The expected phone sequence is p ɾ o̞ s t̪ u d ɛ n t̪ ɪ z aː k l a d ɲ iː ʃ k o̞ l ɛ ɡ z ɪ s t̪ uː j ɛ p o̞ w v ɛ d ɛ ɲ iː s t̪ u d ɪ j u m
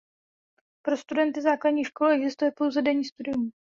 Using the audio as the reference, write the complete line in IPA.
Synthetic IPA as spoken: p ɾ o̞ s t̪ u d ɛ n t̪ ɪ z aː k l a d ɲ iː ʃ k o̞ l ɛ ɡ z ɪ s t̪ u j ɛ p o̞ w z ɛ d ɛ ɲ iː s t̪ u d ɪ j u m